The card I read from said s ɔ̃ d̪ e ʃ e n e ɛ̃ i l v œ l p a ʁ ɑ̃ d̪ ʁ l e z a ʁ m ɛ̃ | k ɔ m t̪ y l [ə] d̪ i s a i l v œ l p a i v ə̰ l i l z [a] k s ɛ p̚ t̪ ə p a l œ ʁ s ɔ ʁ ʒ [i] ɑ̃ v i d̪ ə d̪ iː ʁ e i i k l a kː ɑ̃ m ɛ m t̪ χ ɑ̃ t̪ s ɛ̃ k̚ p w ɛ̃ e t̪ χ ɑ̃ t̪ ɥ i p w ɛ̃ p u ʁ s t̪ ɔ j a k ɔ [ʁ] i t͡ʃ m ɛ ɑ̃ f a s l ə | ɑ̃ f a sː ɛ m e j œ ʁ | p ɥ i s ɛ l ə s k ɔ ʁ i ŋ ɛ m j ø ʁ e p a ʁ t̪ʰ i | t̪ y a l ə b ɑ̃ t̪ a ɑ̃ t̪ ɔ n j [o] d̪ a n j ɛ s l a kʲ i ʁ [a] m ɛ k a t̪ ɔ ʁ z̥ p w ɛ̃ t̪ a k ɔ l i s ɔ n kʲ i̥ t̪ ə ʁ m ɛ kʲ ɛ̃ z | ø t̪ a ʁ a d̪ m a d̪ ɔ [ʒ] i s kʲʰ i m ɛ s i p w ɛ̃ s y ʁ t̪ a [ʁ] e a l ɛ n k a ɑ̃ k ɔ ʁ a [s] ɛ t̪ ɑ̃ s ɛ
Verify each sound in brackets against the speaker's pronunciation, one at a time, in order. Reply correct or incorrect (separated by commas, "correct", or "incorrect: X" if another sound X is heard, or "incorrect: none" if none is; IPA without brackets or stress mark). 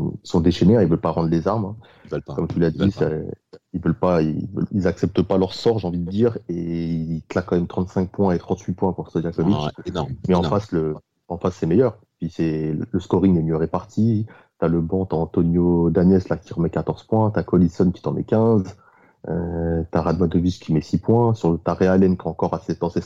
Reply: incorrect: a, correct, incorrect: e, incorrect: v, correct, incorrect: ə, incorrect: v, correct, correct